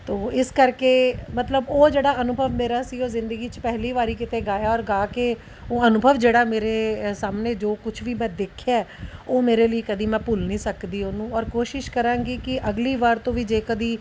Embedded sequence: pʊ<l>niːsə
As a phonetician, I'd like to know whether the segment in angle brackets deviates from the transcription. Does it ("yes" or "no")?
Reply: no